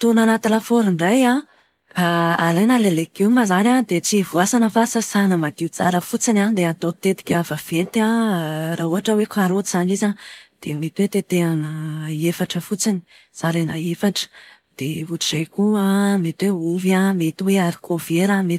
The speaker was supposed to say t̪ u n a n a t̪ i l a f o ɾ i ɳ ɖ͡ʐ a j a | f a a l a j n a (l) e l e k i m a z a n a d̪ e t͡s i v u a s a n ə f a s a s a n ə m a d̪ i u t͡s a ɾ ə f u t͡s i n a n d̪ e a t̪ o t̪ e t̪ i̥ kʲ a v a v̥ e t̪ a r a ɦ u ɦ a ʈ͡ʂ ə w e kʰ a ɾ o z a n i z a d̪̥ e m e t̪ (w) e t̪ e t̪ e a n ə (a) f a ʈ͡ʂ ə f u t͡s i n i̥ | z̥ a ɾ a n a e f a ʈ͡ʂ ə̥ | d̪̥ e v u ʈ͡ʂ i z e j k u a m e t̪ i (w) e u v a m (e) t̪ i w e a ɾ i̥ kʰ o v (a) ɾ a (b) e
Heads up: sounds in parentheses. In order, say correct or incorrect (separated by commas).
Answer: correct, correct, incorrect, correct, correct, incorrect, incorrect